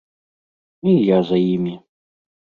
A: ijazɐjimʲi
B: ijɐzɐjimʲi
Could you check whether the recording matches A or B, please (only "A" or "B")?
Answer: A